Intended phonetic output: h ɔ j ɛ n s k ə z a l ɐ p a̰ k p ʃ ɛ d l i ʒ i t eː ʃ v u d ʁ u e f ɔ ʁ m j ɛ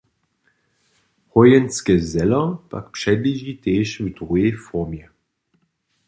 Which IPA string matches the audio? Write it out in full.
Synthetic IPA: h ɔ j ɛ n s k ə z ɛ l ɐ p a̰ k p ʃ ɛ d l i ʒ i t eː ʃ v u d ʁ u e f ɔ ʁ m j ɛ